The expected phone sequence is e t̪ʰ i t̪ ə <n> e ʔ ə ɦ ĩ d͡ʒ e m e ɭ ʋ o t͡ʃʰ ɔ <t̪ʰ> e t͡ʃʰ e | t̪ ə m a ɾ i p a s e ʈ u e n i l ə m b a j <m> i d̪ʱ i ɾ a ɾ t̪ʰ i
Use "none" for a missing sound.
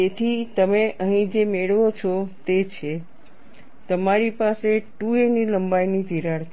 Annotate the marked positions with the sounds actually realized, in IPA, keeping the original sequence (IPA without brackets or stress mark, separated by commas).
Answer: m, t̪, n